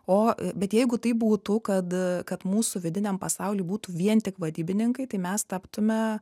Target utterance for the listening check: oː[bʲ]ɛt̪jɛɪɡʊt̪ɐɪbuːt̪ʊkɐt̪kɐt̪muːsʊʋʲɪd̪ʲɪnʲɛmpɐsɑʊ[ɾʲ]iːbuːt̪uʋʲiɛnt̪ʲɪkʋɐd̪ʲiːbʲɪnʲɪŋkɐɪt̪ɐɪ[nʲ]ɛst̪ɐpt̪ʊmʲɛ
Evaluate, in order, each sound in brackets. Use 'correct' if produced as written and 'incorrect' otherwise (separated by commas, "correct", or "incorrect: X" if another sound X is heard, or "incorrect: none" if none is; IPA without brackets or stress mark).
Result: correct, incorrect: lʲ, incorrect: mʲ